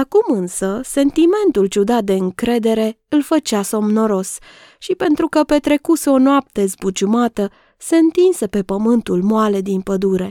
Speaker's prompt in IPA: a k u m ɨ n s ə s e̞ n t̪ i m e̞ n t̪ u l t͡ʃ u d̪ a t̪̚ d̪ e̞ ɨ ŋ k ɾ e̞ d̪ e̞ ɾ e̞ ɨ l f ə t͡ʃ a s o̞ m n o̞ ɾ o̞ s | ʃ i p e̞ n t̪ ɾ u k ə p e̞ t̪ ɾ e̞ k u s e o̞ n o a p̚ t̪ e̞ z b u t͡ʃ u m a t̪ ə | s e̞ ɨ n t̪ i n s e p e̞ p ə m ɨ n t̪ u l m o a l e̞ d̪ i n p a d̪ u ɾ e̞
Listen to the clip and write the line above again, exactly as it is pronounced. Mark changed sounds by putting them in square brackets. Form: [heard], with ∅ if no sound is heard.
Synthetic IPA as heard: a k u m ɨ n s ə s e̞ n t̪ i m e̞ n t̪ u l t͡ʃ u d̪ a t̪̚ d̪ e̞ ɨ ŋ k ɾ e̞ d̪ e̞ ɾ e̞ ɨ l f ə t͡ʃ a s o̞ m n o̞ ɾ o̞ s | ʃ i p e̞ n t̪ ɾ u k ə p e̞ t̪ ɾ e̞ k u s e o̞ n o a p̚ t̪ e̞ z b u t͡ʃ u m a t̪ ə | s e̞ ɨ n t̪ i n s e p e̞ p ə m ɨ n t̪ u l m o a l e̞ d̪ i n p [ə] d̪ u ɾ e̞